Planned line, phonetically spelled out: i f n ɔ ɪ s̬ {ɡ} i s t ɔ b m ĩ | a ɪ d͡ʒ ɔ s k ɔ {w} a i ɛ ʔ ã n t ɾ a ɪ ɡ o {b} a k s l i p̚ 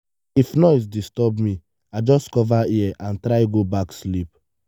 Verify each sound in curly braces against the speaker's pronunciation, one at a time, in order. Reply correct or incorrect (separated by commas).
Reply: incorrect, incorrect, correct